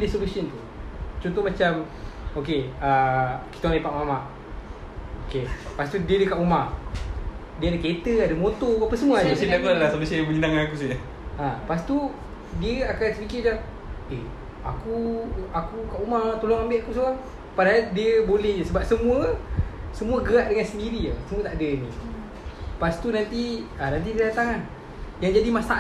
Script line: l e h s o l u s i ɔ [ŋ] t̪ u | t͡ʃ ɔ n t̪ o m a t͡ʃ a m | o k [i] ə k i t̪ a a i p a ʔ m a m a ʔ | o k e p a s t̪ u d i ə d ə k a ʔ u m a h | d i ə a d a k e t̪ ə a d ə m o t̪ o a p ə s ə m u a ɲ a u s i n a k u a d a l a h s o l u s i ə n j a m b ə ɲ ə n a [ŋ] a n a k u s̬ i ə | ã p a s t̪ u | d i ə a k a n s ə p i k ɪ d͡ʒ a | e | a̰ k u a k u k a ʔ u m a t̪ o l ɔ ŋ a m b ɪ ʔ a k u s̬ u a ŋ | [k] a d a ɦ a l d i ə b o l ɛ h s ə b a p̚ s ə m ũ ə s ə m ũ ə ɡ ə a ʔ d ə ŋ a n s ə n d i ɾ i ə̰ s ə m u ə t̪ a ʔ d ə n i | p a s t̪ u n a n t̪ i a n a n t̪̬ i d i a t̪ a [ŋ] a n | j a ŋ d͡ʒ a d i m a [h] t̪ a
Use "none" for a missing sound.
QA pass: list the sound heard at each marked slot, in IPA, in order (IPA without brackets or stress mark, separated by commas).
n, e, ŋ, p, ŋ, s